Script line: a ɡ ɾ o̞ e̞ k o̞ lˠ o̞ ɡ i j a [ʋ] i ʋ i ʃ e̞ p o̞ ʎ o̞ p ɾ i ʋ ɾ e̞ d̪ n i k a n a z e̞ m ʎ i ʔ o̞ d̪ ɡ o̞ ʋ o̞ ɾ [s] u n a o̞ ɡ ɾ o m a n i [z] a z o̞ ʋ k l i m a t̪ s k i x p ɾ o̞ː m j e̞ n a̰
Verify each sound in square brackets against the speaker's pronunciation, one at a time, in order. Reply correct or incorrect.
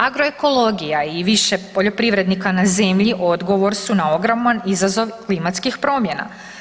incorrect: none, correct, correct

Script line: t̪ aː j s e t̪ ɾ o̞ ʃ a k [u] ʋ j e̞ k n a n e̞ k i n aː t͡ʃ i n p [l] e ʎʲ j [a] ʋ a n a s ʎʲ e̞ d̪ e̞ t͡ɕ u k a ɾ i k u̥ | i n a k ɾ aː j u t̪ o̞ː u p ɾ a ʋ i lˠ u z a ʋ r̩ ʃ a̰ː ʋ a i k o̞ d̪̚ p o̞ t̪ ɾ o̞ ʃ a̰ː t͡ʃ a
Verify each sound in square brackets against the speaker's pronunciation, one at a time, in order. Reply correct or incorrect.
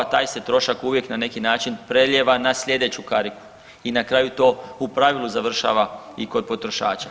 correct, incorrect: ɾ, incorrect: e

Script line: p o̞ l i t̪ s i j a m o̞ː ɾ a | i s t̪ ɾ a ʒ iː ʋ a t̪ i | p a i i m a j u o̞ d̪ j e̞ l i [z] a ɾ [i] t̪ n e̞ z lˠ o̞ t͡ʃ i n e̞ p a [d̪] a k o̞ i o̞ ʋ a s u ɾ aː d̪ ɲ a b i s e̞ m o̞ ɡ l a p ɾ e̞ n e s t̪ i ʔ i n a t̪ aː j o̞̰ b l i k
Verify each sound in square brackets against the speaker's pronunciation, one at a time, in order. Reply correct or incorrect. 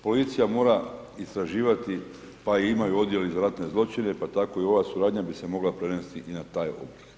correct, incorrect: a, incorrect: t̪

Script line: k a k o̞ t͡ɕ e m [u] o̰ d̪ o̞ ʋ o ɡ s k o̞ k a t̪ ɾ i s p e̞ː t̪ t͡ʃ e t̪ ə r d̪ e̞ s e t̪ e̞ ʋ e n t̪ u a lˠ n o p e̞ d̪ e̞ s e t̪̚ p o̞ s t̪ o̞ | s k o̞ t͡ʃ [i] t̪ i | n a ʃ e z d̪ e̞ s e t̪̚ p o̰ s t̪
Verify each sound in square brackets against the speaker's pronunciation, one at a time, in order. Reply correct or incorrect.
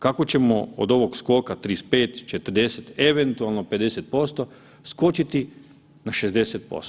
incorrect: o, correct

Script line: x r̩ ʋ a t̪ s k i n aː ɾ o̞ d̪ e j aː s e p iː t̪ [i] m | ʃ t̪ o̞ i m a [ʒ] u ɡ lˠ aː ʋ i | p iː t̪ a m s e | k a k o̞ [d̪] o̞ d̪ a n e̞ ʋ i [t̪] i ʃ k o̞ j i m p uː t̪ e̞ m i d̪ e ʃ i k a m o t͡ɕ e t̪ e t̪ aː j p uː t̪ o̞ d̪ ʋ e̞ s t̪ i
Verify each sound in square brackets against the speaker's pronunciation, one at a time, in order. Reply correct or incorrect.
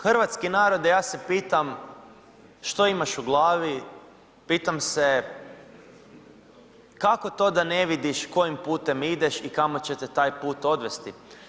incorrect: a, incorrect: ʃ, incorrect: t̪, incorrect: d̪

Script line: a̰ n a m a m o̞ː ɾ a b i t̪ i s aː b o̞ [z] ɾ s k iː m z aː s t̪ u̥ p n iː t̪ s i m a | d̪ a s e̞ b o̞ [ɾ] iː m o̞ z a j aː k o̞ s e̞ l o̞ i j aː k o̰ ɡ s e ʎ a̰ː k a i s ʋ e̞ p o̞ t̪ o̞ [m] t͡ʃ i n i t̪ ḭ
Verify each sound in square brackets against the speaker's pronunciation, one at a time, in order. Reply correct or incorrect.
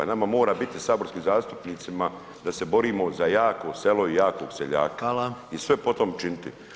incorrect: none, correct, correct

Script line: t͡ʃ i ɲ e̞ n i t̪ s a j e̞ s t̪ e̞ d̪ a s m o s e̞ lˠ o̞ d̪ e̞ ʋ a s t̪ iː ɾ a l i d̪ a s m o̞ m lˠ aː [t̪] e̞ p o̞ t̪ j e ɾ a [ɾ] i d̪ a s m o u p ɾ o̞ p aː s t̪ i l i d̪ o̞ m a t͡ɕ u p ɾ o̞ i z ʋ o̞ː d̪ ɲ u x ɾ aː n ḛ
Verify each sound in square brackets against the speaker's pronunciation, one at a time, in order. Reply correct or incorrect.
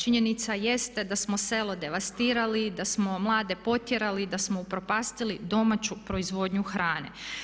incorrect: d̪, incorrect: l

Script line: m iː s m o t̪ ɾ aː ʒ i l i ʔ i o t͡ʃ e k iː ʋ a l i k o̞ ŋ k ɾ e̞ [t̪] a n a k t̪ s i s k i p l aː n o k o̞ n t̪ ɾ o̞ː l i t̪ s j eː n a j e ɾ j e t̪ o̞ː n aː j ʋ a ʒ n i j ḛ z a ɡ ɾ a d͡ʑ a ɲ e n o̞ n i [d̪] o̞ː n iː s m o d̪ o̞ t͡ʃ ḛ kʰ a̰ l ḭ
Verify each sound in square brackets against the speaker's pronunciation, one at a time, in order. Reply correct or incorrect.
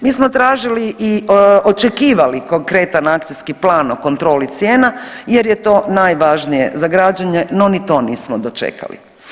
correct, incorrect: t̪

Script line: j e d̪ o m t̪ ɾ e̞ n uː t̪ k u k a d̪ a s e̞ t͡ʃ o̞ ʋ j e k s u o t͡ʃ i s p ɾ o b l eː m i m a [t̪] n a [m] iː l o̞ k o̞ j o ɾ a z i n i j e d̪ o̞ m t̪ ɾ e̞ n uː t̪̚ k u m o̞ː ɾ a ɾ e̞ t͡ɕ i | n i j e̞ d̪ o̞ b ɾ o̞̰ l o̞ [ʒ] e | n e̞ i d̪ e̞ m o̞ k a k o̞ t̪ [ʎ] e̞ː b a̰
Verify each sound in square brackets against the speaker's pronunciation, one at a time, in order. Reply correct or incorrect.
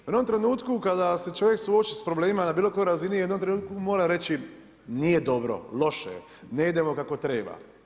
incorrect: none, incorrect: b, incorrect: ʃ, incorrect: ɾ

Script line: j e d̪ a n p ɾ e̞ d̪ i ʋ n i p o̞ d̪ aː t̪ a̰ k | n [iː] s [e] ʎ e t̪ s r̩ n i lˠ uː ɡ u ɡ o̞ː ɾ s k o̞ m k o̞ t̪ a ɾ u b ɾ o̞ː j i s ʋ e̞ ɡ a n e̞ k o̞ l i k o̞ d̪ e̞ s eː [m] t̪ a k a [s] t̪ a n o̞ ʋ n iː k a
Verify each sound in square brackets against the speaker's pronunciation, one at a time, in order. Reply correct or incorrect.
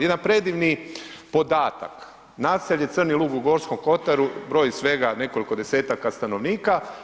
incorrect: aː, correct, incorrect: none, correct

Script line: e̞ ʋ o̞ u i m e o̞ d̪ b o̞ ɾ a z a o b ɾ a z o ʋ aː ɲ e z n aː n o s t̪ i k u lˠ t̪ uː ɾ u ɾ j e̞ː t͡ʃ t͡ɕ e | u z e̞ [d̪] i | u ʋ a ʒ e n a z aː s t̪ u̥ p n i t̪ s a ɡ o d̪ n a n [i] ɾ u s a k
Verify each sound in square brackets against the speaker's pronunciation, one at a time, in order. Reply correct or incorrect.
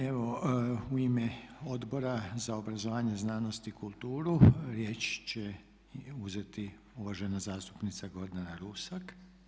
incorrect: t̪, incorrect: a

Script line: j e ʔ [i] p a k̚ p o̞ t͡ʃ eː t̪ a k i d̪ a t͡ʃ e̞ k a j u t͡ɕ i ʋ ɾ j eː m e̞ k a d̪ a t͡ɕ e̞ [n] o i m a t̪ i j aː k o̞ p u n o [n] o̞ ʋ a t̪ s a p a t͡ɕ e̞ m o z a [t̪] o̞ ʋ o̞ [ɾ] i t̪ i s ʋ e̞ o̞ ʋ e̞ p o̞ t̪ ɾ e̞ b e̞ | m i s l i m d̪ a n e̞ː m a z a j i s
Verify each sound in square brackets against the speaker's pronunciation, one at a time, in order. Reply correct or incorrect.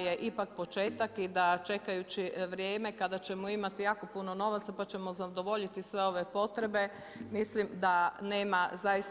correct, incorrect: m, correct, incorrect: d̪, incorrect: ʎ

